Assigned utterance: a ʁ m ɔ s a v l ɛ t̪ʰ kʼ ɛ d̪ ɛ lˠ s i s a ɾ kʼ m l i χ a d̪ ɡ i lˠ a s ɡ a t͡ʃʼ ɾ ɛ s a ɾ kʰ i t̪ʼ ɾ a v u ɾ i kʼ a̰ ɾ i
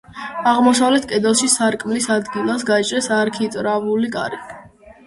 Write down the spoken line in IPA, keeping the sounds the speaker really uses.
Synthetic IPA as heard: a ʁ m ɔ s a v l ɛ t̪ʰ kʼ ɛ d̪ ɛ lˠ ʃ i s a ɾ kʼ m l i s a d̪ ɡ i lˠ a s ɡ a t͡ʃʼ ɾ ɛ s a ɾ kʰ i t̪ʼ ɾ a v u l i kʼ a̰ ɾ i